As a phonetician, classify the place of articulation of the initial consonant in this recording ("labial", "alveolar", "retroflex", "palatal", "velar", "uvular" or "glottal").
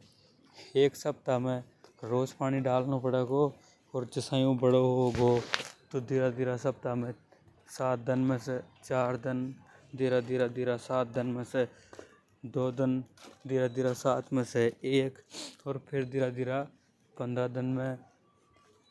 velar